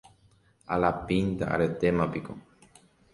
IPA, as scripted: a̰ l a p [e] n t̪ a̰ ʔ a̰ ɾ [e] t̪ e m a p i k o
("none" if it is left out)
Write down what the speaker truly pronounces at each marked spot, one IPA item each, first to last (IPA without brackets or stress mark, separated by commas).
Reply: i, e